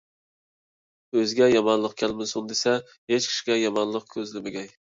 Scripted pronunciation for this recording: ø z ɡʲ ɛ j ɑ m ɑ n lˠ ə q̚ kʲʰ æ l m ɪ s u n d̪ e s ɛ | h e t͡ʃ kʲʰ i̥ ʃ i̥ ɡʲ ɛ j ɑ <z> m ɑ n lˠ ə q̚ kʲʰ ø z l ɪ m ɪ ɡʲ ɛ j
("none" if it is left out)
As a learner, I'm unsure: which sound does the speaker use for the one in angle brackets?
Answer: none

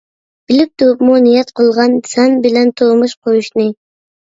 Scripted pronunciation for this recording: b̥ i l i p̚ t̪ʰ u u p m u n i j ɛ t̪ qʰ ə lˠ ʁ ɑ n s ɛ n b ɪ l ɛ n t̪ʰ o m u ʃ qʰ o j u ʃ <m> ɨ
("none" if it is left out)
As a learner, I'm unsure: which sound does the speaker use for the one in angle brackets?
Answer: n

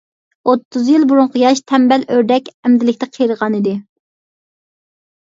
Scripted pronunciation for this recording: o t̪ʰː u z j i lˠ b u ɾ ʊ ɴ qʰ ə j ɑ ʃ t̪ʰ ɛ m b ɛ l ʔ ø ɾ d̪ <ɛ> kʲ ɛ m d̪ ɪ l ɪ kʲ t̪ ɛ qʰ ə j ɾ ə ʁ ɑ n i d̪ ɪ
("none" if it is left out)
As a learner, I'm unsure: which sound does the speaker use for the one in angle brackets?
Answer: ɛ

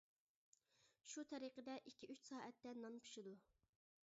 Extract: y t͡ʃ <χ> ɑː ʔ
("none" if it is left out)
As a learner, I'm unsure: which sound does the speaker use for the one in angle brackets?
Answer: s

